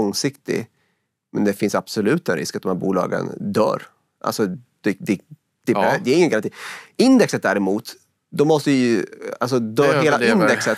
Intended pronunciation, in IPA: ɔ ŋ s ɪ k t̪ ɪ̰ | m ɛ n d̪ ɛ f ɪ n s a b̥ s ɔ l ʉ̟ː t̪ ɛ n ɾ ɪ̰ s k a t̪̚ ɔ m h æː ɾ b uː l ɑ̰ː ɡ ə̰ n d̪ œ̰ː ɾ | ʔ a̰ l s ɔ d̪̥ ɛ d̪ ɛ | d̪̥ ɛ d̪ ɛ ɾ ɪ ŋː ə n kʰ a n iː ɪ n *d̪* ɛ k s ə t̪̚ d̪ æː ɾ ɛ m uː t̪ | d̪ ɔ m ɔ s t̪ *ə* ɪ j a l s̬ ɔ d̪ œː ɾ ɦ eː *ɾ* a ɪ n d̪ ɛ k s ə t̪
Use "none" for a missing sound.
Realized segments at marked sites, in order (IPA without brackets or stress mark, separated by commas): d̪, ə, l